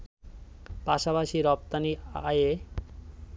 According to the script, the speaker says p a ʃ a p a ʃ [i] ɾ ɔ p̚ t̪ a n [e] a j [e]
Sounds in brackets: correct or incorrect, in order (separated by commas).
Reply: correct, incorrect, correct